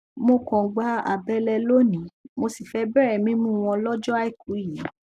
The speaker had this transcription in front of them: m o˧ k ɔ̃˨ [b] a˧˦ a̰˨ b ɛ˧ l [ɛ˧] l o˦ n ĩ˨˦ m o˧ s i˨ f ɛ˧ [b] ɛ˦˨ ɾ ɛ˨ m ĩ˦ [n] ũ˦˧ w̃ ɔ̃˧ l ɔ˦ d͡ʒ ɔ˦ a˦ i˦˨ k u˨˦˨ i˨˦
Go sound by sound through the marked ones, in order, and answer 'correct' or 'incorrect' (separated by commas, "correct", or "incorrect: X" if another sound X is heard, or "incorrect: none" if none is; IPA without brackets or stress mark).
incorrect: ɡ͡b, correct, correct, incorrect: m